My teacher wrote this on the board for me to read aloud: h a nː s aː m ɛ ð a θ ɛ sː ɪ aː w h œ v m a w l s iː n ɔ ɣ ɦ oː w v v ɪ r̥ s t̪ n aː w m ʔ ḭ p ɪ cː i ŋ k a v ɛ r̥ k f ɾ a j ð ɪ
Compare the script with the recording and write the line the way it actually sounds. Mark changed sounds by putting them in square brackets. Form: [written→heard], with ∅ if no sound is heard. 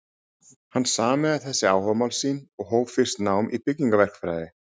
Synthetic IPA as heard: h a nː s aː m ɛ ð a θ ɛ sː ɪ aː w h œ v m a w l s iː n ɔ ɣ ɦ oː w v [v→f] ɪ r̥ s t̪ n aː w m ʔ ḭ p ɪ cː i ŋ k a v ɛ r̥ k f ɾ a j ð ɪ

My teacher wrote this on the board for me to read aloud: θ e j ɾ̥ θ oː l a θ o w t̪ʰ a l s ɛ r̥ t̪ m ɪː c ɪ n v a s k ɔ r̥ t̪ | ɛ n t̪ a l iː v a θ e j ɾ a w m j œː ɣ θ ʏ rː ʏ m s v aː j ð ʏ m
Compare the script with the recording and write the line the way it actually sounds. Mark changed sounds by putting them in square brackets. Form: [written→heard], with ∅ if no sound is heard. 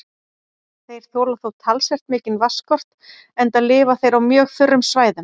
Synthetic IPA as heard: θ e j ɾ̥ θ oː l a θ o w t̪ʰ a l s ɛ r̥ t̪ m ɪː c ɪ n v a s k ɔ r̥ t̪ | ɛ n t̪ a l [iː→ɪː] v a θ e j ɾ a w m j œː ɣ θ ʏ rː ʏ m s v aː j ð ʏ m

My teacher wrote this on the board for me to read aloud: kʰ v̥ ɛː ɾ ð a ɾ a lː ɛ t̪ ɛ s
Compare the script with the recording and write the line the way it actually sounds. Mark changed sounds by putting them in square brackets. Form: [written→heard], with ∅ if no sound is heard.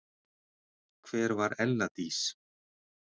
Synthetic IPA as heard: kʰ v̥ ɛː ɾ [ð→v] a ɾ [a→ɛ] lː [ɛ→a] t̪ [ɛ→i] s

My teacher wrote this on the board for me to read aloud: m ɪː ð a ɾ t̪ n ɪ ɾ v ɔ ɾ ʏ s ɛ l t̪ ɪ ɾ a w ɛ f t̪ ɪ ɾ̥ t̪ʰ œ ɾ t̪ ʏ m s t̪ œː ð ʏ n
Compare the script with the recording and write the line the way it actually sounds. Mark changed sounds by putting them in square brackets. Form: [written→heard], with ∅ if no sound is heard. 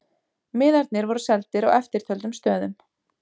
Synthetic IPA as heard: m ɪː ð a ɾ t̪ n ɪ ɾ v ɔ ɾ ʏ s ɛ l t̪ ɪ ɾ a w ɛ f t̪ ɪ ɾ̥ t̪ʰ œ [ɾ→l] t̪ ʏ m s t̪ œː ð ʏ [n→m]

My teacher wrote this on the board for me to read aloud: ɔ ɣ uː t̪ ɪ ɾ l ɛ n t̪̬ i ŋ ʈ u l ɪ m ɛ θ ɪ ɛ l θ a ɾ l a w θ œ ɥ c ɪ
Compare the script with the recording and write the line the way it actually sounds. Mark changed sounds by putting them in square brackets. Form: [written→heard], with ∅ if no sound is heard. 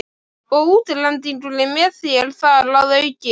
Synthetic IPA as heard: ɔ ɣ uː t̪ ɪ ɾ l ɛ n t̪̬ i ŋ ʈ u l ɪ m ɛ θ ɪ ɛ l θ a ɾ l a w [θ→ð] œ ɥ c ɪ

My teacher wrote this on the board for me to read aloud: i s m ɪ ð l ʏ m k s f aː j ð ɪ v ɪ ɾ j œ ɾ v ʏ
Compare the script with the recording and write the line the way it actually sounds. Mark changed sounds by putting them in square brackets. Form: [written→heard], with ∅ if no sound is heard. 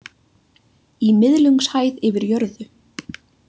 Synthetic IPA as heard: i [s→∅] m ɪ ð l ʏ [m→ŋ] k s [f→h] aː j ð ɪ v ɪ ɾ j œ ɾ [v→ð] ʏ

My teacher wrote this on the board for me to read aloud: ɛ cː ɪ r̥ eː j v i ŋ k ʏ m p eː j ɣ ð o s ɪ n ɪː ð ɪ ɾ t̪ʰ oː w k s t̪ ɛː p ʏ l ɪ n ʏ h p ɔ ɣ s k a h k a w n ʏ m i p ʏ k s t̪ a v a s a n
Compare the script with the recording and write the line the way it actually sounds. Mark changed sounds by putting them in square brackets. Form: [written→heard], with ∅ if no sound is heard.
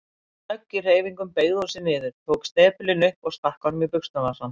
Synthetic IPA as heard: [ɛ→œ] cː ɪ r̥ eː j v i ŋ k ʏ m p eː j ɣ ð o s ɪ n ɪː ð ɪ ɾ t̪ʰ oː w k s t̪ ɛː p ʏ l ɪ n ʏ h p ɔ ɣ s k a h k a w n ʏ m i p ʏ k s t̪ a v a s a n

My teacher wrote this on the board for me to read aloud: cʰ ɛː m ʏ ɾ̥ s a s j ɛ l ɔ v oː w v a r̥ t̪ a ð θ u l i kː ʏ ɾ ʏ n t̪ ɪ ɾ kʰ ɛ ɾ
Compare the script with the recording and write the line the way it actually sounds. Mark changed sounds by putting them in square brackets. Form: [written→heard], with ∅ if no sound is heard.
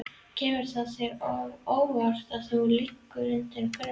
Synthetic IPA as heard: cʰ ɛː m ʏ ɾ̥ [s→θ] a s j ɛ [l→ɾ] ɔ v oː w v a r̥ t̪ a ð θ u l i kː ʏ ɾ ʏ n t̪ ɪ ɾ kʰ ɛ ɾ

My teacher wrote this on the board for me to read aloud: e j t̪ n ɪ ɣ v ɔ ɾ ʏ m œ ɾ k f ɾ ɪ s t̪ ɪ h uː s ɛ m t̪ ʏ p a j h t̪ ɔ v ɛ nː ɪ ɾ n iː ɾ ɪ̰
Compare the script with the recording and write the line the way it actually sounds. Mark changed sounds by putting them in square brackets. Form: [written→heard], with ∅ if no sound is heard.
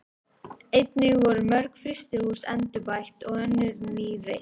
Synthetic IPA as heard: e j t̪ n ɪ ɣ v ɔ ɾ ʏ m œ ɾ k f ɾ ɪ s t̪ ɪ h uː s ɛ [m→n] t̪ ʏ p a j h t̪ ɔ [v→ɣ] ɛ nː ɪ ɾ n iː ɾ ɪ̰

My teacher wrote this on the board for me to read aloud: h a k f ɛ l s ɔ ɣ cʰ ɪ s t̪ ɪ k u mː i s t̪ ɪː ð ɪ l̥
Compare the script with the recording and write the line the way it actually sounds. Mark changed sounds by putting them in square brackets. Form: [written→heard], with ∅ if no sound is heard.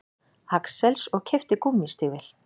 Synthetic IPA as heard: h a k [f→s] ɛ l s ɔ ɣ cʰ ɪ [s→f] t̪ ɪ k u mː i s t̪ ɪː [ð→v] ɪ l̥

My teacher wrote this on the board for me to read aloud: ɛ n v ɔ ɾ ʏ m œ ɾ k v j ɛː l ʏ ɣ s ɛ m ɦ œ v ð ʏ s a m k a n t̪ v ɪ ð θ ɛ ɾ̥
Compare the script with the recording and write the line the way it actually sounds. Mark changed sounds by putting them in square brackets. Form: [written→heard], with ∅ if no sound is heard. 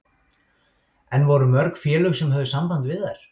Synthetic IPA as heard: ɛ n v ɔ ɾ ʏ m œ ɾ k [v→f] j ɛː l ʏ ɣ s ɛ m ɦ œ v ð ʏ s a m [k→p] a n t̪ v ɪ ð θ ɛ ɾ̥

